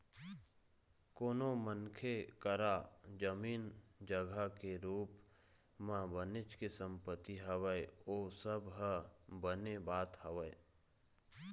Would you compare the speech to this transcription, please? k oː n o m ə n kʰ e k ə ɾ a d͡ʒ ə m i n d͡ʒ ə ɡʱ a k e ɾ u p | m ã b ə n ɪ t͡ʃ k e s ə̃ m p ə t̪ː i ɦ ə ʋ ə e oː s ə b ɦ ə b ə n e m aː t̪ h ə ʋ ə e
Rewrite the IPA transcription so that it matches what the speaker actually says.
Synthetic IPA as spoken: k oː n o m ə n kʰ e k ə ɾ a d͡ʒ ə m iː n d͡ʒ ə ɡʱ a k e ɾ uː p | m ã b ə n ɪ t͡ʃ k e s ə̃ m p ə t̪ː i ɦ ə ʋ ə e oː s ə b ɦ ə b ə n e b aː t̪ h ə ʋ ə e